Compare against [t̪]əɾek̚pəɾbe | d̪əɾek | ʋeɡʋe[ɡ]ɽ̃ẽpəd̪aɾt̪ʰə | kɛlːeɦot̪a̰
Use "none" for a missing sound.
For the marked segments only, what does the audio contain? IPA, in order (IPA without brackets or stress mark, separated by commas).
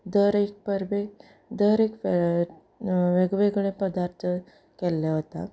d̪, ɡ